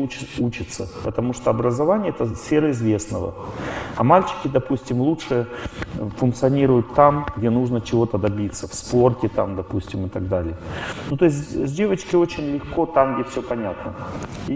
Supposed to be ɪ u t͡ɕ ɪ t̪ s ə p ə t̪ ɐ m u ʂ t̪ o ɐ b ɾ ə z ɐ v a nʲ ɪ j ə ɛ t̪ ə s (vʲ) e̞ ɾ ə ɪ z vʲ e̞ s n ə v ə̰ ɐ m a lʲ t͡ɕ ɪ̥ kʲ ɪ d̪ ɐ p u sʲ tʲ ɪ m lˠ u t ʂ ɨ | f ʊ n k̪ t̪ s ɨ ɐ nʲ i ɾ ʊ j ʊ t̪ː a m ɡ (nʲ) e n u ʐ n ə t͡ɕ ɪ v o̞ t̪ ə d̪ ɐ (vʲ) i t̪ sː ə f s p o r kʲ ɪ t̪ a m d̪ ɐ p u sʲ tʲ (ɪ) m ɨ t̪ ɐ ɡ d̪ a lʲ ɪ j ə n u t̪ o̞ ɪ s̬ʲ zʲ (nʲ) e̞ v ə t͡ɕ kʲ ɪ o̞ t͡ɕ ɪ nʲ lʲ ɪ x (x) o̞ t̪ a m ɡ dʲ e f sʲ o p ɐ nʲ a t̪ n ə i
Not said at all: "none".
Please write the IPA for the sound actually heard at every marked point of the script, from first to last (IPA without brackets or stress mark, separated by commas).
fʲ, dʲ, bʲ, ɪ, dʲ, k